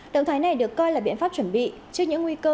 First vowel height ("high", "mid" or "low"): mid